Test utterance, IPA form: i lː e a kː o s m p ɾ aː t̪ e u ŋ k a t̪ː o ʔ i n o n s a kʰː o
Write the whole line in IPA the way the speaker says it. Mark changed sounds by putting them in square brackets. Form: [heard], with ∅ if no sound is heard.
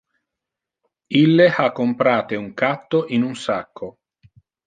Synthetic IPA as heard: i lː e a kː o [∅] m p ɾ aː t̪ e u ŋ k a t̪ː o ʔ i n [u] n s a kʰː o